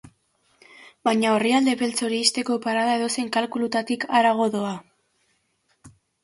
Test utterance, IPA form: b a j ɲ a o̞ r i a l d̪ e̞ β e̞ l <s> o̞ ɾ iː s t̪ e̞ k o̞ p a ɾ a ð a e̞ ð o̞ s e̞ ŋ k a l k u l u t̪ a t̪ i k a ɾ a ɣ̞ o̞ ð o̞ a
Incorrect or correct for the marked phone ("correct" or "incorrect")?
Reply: incorrect